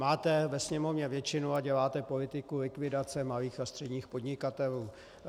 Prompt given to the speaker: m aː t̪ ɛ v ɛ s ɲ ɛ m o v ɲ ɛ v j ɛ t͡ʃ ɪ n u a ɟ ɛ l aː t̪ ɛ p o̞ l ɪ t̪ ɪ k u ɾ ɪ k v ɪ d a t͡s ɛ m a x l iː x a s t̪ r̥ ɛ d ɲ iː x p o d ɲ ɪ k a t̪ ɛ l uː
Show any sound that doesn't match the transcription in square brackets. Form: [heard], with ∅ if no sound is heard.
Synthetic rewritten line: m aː t̪ ɛ v ɛ s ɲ ɛ m o v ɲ ɛ v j ɛ t͡ʃ ɪ n u a ɟ ɛ l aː t̪ ɛ p o̞ l ɪ t̪ ɪ k u [l] ɪ k v ɪ d a t͡s ɛ m a [∅] l iː x a s t̪ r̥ ɛ d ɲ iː x p o d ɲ ɪ k a t̪ ɛ l uː